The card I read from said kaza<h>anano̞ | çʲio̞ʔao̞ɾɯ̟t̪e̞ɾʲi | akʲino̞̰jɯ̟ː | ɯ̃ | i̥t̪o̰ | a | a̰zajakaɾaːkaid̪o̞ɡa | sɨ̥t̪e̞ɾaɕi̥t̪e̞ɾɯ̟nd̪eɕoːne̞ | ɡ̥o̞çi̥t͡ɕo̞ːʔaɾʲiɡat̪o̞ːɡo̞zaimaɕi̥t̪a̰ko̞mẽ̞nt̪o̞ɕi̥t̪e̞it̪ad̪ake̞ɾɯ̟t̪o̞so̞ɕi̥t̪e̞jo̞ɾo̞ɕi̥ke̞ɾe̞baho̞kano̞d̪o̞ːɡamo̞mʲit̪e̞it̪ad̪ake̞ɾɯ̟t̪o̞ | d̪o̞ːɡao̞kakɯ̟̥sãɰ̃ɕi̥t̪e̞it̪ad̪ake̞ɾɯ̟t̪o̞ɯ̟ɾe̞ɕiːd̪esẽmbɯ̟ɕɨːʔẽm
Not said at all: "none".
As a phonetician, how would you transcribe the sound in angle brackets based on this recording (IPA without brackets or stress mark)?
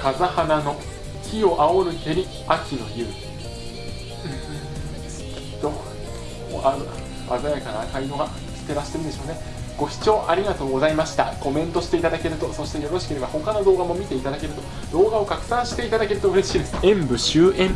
h